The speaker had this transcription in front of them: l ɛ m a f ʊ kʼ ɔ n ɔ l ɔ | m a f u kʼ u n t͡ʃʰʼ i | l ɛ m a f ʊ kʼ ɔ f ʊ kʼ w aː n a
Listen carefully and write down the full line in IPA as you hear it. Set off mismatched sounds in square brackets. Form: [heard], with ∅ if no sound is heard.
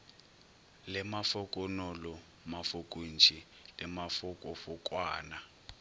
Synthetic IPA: l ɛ m a f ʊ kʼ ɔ n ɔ l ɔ | m a f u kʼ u n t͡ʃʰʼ i | l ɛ m a f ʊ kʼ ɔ f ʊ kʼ w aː n a